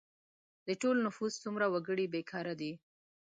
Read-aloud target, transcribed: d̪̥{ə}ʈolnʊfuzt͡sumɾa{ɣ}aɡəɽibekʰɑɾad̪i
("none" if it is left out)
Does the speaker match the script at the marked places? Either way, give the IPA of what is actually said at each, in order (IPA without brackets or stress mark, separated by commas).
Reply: ə, w